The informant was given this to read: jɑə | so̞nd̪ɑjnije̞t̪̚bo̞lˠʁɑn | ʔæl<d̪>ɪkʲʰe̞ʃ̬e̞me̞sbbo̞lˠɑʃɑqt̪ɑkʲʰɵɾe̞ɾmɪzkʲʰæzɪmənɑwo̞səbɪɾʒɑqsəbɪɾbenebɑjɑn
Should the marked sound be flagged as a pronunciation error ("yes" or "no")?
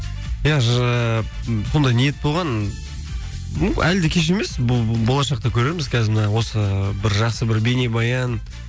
no